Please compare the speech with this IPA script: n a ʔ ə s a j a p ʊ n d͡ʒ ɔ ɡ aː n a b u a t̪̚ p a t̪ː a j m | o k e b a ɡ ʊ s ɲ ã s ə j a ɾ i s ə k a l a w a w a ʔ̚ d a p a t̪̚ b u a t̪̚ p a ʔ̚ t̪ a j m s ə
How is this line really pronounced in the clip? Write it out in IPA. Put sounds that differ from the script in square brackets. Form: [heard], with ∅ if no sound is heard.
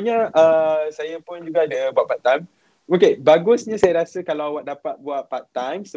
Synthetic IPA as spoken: [ɲ] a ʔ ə s a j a p ʊ n d͡ʒ [u] ɡ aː [d] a b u a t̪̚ p a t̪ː a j m | o k e b a ɡ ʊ s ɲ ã s [a] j a ɾ [a] s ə k a l a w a w a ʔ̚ d a p a t̪̚ b u a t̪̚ p a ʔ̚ t̪ a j m s ə